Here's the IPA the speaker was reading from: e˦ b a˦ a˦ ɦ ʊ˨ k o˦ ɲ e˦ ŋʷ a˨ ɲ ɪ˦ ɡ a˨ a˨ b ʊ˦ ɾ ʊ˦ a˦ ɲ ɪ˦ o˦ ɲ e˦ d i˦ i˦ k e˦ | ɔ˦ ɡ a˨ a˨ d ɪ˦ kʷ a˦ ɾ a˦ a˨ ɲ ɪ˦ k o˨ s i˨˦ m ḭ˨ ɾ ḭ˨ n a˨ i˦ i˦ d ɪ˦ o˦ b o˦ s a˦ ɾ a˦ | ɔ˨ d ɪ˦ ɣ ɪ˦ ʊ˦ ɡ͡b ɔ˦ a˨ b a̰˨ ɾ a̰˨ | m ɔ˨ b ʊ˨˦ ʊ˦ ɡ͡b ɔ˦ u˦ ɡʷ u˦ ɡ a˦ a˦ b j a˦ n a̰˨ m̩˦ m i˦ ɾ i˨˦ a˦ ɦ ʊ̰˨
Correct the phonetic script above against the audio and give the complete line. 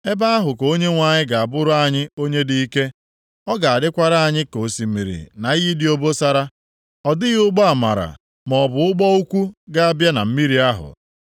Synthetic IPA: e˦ b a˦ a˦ ɦ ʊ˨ k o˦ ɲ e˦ ŋʷ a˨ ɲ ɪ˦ ɡ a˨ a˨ b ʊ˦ ɾ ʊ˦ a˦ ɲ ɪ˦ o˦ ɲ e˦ d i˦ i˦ k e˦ | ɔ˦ ɡ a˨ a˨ d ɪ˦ kʷ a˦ ɾ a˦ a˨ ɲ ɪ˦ k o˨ s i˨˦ m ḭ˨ ɾ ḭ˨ n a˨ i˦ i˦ d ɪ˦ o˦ b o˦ s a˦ ɾ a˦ | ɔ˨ d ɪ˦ ɣ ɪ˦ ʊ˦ ɡ͡b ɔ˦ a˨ m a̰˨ ɾ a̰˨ | m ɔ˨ b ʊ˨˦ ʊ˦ ɡ͡b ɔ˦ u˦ kʷ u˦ ɡ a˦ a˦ b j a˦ n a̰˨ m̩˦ m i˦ ɾ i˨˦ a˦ ɦ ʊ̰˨